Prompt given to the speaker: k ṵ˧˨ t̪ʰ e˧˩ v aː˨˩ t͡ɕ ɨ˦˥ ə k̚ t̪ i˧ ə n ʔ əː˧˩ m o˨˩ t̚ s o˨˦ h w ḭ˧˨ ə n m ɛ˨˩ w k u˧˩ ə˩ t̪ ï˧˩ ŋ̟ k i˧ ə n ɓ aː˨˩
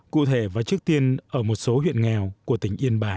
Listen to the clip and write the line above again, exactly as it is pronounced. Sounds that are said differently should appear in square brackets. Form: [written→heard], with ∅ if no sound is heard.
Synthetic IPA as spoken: k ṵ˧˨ t̪ʰ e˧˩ v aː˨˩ t͡ɕ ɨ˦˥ ə k̚ t̪ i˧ ə n ʔ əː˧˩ m o˨˩ t̚ s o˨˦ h w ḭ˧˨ ə n [m→ŋ] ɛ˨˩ w k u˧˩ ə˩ t̪ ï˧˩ ŋ̟ [k→ʔ] i˧ ə n ɓ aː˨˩